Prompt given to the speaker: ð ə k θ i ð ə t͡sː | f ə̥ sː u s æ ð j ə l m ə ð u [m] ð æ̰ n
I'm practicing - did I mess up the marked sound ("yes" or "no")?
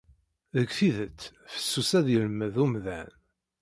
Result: no